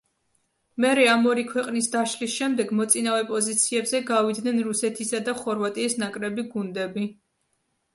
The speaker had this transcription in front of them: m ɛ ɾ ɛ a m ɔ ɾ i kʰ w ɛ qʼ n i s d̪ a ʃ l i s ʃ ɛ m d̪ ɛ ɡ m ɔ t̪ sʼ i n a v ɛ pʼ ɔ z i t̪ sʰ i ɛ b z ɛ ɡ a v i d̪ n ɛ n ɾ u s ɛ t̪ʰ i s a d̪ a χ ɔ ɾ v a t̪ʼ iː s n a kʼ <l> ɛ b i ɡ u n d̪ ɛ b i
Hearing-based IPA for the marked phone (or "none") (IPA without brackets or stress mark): ɾ